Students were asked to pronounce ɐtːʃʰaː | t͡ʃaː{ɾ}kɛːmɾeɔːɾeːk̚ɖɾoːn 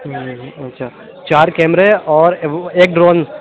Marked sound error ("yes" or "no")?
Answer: no